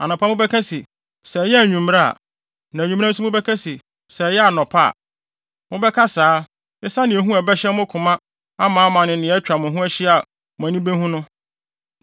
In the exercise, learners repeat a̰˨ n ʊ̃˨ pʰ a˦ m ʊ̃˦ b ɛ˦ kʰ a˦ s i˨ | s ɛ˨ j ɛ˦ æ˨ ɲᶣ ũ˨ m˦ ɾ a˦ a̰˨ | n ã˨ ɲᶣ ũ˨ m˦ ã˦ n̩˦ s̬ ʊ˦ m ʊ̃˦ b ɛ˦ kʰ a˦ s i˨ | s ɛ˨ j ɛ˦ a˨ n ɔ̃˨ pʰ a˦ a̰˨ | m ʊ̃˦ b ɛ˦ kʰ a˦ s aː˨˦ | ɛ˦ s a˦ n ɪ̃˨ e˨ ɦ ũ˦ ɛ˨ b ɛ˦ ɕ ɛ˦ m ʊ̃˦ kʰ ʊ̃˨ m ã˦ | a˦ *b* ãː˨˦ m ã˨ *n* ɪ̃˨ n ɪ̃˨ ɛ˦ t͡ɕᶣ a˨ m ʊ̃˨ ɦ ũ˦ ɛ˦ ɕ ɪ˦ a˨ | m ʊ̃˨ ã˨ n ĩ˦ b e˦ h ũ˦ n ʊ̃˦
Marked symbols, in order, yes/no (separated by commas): no, yes